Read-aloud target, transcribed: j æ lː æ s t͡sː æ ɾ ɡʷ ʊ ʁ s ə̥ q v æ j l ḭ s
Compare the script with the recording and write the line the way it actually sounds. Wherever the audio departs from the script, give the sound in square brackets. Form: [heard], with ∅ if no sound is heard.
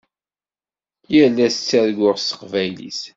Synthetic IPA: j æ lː æ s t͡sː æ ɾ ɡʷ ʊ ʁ s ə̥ q v æ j l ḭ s